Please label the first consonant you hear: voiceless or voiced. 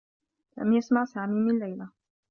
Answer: voiced